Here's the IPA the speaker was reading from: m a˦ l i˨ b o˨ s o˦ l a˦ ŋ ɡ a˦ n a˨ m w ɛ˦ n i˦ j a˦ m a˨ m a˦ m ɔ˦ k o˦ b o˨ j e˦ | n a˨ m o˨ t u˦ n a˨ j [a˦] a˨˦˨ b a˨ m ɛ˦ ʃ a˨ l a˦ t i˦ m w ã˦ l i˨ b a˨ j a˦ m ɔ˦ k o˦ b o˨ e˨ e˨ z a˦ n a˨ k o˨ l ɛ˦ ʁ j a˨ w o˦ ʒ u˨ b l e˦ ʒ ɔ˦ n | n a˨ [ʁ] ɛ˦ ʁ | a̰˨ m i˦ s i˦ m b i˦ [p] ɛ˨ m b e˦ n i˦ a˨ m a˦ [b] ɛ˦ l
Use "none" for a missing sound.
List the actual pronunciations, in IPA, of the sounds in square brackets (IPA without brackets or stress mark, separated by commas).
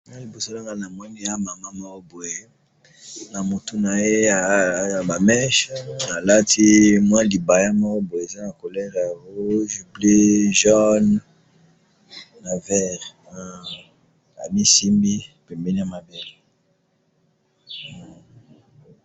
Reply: e˦, v, p, b